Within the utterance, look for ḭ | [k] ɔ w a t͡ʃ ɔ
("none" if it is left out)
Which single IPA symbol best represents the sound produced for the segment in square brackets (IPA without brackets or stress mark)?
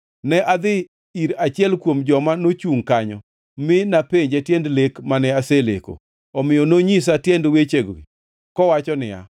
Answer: k